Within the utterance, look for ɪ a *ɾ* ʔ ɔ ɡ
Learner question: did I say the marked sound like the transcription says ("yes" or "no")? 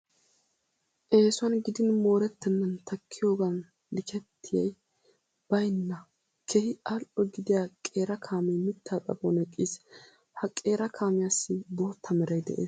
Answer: no